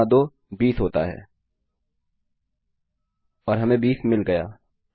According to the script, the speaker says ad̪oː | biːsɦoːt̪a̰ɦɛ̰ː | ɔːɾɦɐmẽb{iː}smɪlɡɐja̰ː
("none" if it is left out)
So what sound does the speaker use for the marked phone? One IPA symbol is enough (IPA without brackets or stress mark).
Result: iː